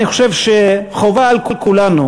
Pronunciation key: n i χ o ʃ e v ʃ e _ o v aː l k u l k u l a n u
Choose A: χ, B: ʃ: A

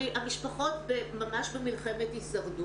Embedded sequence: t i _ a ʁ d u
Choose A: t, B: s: B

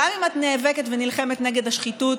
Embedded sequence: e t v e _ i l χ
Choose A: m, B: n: B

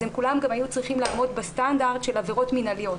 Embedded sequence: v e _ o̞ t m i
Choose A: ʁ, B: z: A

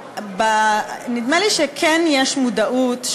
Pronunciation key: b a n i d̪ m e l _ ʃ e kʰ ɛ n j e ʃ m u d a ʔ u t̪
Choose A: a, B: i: B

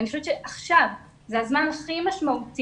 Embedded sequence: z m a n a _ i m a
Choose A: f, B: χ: B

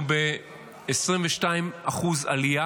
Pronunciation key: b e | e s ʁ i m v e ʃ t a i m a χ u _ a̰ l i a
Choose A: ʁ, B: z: B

